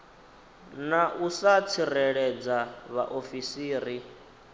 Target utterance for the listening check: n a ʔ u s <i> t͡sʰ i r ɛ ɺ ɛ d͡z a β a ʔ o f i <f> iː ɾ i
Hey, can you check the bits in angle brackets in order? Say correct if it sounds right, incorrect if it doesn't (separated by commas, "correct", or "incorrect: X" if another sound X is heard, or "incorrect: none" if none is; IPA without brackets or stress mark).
incorrect: a, incorrect: s